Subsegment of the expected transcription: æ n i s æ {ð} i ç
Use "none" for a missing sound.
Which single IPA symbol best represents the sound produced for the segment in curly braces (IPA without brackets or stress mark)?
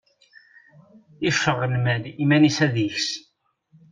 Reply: ð